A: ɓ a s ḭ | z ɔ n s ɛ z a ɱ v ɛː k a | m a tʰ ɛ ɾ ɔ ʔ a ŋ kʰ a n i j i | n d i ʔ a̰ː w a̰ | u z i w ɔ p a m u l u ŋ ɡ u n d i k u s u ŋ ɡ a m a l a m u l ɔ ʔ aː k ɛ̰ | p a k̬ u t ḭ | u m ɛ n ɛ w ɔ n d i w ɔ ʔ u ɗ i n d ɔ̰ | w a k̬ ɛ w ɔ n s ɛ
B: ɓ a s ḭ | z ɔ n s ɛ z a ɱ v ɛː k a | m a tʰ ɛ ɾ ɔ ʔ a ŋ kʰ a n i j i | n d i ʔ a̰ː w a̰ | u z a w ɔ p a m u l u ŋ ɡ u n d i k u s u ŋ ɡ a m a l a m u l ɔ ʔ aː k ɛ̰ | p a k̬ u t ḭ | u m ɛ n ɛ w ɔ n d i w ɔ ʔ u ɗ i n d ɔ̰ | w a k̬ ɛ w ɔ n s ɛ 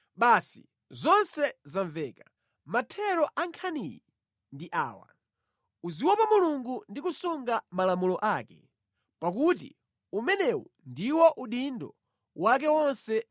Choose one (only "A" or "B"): A